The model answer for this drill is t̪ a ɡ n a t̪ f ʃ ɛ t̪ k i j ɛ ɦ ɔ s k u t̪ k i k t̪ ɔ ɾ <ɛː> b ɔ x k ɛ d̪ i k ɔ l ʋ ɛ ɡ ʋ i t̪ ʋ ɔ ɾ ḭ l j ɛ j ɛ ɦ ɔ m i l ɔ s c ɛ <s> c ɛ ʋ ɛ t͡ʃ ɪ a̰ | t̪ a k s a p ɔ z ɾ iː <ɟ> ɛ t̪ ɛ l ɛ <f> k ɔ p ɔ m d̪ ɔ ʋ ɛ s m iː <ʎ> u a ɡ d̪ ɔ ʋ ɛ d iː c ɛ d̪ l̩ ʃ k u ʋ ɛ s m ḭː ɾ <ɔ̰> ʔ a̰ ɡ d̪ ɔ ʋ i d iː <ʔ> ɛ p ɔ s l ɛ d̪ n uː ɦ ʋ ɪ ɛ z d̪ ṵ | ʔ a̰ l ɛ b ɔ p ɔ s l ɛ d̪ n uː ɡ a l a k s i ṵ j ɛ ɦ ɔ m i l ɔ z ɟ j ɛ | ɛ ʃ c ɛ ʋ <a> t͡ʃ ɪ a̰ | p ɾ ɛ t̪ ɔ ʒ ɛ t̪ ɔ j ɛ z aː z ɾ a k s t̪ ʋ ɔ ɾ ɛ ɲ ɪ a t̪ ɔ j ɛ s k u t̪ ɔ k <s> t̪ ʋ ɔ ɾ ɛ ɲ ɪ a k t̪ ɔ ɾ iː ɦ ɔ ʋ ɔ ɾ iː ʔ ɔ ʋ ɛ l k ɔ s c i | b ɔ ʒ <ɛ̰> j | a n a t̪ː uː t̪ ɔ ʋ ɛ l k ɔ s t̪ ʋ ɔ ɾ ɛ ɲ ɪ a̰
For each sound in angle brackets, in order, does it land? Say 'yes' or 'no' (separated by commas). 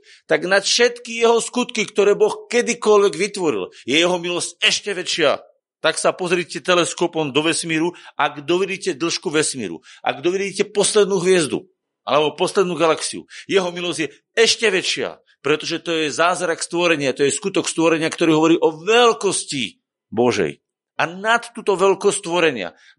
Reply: yes, no, no, no, no, no, no, no, yes, yes